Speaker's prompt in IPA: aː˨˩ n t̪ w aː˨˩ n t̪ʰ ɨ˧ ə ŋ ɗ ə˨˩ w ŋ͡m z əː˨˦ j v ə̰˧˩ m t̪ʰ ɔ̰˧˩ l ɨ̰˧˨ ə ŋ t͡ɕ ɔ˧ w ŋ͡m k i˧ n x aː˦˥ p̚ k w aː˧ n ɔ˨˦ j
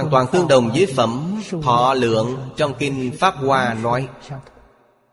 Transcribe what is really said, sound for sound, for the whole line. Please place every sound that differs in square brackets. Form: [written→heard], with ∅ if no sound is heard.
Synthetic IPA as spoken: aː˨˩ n t̪ w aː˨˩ n [t̪ʰ→t̪] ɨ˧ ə ŋ ɗ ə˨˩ w ŋ͡m z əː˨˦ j [v→f] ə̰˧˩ m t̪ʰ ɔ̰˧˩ l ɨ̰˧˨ ə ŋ t͡ɕ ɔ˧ w ŋ͡m k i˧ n [x→f] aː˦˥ p̚ k w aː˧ n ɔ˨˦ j